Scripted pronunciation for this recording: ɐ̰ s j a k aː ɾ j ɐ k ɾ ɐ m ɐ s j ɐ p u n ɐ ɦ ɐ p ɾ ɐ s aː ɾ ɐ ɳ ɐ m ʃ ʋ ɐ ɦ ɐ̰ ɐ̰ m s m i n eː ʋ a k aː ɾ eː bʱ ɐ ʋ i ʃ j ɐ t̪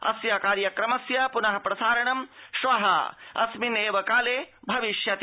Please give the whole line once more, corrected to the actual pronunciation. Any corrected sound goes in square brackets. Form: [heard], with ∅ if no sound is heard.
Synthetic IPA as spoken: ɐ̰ s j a k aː ɾ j ɐ k ɾ ɐ m ɐ s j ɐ p u n ɐ ɦ ɐ p ɾ ɐ s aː ɾ ɐ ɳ ɐ m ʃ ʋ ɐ ɦ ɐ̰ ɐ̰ [∅] s m i n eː ʋ [ɐ] k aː [l] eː bʱ ɐ ʋ i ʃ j ɐ t̪